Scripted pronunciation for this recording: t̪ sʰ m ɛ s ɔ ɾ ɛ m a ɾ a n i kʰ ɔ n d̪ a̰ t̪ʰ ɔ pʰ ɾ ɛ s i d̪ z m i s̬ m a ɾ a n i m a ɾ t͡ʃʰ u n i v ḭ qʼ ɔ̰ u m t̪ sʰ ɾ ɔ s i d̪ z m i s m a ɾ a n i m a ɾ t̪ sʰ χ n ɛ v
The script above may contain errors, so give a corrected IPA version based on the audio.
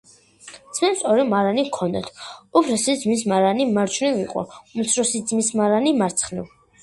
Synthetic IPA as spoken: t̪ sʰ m ɛ s ɔ ɾ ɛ m a ɾ a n i kʰ ɔ n d̪ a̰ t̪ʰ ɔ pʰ ɾ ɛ s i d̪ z m i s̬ m a ɾ a n i m a ɾ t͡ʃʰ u n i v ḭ qʼ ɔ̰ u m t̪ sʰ ɾ ɔ s i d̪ z m i s m a ɾ a n i m a ɾ t̪ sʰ χ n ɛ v